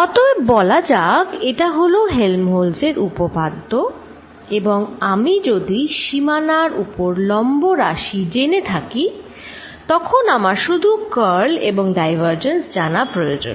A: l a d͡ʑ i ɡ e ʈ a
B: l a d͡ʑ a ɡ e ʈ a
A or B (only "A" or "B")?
B